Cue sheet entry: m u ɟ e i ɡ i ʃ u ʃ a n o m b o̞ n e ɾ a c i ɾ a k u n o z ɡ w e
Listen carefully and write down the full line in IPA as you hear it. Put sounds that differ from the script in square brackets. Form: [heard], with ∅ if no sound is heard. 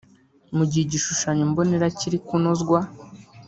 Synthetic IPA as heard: m u ɟ [i] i [ɟ] i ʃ u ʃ a [ɲ] o m b o̞ n e ɾ a c i ɾ [i] k u n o z ɡ w [a]

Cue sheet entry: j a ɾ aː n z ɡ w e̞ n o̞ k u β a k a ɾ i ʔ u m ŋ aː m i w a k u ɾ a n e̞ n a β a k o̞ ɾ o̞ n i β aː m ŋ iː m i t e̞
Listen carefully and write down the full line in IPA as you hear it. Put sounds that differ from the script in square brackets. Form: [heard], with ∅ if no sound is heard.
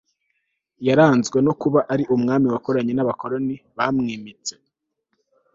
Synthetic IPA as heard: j a ɾ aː n z ɡ w e̞ n o̞ k u β a [ʔ] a ɾ i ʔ u m ŋ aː m i w a k [o] ɾ a [ɲ] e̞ n a β a k o̞ ɾ o̞ n i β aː m ŋ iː m i [t͡s] e̞

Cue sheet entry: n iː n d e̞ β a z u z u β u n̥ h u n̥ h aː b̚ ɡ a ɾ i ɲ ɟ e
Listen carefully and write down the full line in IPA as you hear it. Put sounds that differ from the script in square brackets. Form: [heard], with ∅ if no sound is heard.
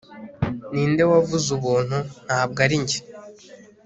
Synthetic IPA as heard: n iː n d e̞ [w] a [v] u z u β [uː] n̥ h u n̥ h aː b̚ ɡ a ɾ i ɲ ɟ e

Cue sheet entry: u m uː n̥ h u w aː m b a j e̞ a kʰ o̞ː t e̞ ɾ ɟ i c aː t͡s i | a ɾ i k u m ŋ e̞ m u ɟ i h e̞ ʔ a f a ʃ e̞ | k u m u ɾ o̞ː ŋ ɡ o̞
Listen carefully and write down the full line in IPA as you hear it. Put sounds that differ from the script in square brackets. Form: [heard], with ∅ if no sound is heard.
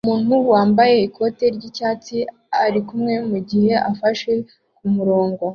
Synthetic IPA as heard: u m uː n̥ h u w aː m b a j e̞ [i] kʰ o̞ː t e̞ ɾ ɟ i c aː t͡s i | a ɾ i k u m ŋ e̞ m u ɟ i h e̞ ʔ a f a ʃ e̞ | k u m u ɾ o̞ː ŋ ɡ o̞

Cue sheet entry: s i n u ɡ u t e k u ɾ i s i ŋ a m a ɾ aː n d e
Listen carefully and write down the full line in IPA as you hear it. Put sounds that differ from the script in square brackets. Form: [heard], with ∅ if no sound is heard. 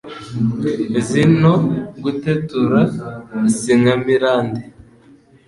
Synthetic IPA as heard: [z] i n [o] ɡ u t e [t] u ɾ [a] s i ŋ a m [i] ɾ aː n d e

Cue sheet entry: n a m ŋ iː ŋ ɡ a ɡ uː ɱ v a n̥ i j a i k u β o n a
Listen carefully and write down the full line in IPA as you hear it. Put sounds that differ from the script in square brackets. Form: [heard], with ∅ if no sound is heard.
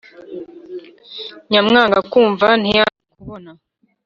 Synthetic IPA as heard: [ɲ] a m ŋ [aː] ŋ ɡ a [k] uː ɱ v a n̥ i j a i k u β o n a

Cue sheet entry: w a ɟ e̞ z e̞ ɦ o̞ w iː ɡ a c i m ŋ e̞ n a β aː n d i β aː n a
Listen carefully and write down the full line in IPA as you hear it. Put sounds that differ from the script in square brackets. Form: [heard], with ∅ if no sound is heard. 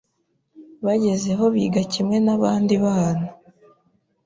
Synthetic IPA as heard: [β] a ɟ e̞ z e̞ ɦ o̞ [β] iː ɡ a c i m ŋ e̞ n a β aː n d i β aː n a

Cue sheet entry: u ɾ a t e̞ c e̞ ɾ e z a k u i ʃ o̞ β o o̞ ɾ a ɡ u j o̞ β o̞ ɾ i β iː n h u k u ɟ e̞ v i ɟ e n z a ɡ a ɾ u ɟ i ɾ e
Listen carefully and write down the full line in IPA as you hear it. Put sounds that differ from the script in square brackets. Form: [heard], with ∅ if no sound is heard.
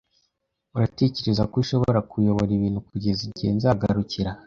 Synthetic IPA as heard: u ɾ a t e̞ c e̞ ɾ e z a k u i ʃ o̞ β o o̞ ɾ a [k] u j o̞ β o̞ ɾ i β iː n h u k u ɟ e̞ [z] i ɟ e n z a ɡ a ɾ u [c] i ɾ [a]

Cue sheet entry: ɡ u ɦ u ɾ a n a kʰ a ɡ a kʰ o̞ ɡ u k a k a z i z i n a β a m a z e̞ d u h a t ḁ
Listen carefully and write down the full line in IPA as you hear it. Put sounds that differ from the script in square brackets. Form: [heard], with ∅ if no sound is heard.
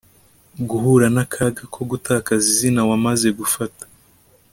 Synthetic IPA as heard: ɡ u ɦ u ɾ a n a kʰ a ɡ a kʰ o̞ ɡ u [t] a k a z i z i n a [w] a m a z e̞ [ɡ] u [f] a t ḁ

